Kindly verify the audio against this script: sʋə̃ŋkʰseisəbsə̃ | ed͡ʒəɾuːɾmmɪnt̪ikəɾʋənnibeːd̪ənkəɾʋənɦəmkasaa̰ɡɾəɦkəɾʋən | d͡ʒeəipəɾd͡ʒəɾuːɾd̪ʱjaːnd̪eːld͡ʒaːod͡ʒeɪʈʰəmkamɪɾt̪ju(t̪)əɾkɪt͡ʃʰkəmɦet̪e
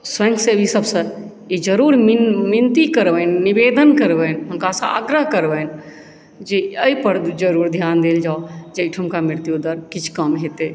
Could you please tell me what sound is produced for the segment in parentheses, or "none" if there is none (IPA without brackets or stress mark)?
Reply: d̪